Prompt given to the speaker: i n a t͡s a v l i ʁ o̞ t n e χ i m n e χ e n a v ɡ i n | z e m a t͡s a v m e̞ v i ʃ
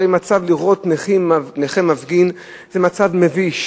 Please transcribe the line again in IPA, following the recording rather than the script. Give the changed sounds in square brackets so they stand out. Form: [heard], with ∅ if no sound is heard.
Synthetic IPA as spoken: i [m] a t͡s a v l i ʁ o̞ t n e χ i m n e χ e [m] a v ɡ i n | z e m a t͡s a v m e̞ v i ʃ

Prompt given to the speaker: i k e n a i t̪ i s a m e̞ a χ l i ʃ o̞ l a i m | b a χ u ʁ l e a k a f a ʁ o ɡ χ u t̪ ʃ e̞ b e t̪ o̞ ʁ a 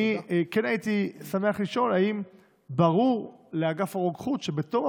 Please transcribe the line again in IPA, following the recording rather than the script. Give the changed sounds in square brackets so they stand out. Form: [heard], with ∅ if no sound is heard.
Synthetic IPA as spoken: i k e n a i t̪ i s a m e̞ a χ l i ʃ o̞ l a i m | b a [ʁ] u ʁ l e a [ɡ] a f a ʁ o ɡ χ u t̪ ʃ e̞ b e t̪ o̞ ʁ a

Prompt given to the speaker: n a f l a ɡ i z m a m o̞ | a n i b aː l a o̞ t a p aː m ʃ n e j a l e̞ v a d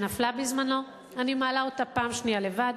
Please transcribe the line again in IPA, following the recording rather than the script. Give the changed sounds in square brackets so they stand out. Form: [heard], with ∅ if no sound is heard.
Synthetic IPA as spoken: n a f l a [b] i z m a [n] o̞ | a n i [m] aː l a o̞ t a p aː m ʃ n [i] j a l e̞ v a d

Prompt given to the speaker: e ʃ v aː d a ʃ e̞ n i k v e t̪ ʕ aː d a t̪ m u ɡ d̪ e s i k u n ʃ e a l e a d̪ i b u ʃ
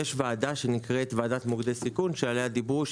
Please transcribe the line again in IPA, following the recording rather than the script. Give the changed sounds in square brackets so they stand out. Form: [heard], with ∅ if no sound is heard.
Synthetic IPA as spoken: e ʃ v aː d a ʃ e̞ n i k [ʁ] e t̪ [v] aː d a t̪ m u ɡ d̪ e s i k u n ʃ e a l e a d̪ i b u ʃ

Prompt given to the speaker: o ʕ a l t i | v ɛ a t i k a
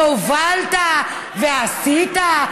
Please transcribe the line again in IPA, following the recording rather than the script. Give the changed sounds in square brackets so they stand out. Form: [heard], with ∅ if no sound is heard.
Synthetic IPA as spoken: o [v] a l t [a] | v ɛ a [s] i [t] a

